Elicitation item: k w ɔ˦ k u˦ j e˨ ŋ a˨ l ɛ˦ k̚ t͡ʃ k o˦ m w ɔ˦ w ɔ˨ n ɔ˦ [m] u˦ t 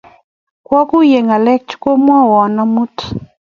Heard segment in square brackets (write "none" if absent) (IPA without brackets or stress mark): m